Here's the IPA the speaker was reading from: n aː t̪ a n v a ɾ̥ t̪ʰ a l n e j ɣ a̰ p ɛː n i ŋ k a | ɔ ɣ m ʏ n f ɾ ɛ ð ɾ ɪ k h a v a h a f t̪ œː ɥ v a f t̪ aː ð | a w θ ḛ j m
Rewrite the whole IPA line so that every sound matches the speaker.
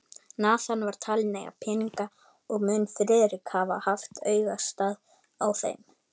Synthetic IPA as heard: n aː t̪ a n v a ɾ̥ t̪ʰ a l n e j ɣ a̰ pʰ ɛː n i ŋ k a | ɔ ɣ m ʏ n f ɾ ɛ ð ɾ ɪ k h a v a h a f t̪ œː ɥ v a s t̪ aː ð | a w θ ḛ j m